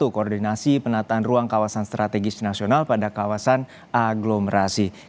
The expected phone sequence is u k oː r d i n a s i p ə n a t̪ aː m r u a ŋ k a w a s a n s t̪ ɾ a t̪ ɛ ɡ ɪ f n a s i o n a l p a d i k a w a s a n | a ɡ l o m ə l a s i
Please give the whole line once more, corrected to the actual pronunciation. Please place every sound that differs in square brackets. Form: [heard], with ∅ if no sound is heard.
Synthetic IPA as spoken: u k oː r d i n a s i p ə n a t̪ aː [n] r u a ŋ k a w a s a n s t̪ ɾ a t̪ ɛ ɡ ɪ [s] n a s i o n a l p a d [a] k a w a s a n | a ɡ l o m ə [ɾ] a s i